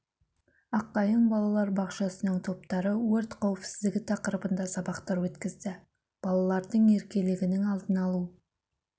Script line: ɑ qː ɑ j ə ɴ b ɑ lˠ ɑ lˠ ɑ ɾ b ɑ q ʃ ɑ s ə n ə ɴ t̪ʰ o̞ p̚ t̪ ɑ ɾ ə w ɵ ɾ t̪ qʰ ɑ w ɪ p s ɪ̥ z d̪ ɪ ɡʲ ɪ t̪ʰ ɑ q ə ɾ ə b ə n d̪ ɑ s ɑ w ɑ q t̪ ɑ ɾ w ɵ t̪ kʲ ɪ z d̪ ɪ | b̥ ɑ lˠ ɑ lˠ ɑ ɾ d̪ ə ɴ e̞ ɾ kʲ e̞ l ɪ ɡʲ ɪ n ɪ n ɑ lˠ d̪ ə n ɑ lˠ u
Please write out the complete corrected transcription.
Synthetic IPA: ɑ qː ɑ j ə ɴ b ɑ lˠ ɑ lˠ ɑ ɾ b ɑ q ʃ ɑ s ə n ə ɴ t̪ʰ o̞ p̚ t̪ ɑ ɾ ə w ɵ ɾ t̪ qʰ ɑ w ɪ p s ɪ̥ z d̪ ɪ ɡʲ ɪ t̪ʰ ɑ q ə ɾ ə b ə n d̪ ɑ s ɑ b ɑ q t̪ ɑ ɾ w ɵ t̪ kʲ ɪ z d̪ ɪ | b̥ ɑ lˠ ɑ lˠ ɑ ɾ d̪ ə ɴ e̞ ɾ kʲ e̞ l ɪ ɡʲ ɪ n ɪ ŋ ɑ lˠ d̪ ə n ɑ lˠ u